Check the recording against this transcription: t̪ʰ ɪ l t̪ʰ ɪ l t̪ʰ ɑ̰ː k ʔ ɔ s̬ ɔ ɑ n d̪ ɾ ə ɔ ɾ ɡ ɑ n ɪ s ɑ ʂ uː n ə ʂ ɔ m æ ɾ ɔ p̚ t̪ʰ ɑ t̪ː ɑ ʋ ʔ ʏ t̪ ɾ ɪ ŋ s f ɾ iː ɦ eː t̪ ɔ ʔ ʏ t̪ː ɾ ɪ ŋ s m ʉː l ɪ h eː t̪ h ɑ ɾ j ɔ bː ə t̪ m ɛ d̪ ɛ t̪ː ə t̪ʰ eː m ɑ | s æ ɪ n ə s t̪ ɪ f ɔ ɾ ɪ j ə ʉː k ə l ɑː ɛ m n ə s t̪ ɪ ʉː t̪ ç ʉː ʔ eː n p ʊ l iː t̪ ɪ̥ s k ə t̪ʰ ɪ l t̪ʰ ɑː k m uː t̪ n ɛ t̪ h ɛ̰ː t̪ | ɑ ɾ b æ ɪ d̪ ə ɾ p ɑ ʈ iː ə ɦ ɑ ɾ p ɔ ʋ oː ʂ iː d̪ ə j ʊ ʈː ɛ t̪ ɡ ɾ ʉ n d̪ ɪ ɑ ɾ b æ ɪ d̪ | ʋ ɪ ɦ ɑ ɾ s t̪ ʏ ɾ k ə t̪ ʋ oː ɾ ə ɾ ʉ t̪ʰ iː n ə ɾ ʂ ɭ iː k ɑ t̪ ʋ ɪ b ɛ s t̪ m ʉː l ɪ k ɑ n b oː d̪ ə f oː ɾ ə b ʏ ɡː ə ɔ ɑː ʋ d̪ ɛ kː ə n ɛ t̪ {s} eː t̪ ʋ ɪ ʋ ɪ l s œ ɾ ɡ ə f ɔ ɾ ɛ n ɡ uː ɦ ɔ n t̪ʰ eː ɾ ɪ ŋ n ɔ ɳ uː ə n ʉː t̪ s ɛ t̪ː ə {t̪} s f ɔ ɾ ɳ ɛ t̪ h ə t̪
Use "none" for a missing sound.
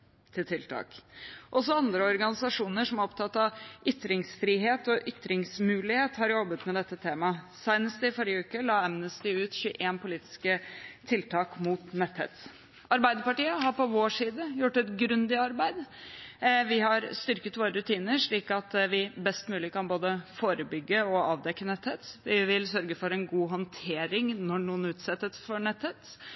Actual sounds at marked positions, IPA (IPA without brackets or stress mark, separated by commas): h, t̪